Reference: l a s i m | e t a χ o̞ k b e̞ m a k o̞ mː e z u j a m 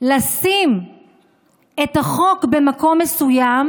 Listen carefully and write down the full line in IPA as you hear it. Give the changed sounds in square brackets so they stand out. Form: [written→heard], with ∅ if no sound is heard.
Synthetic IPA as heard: l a s i m | e t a χ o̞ k b e̞ m a k o̞ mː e [z→s] u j a m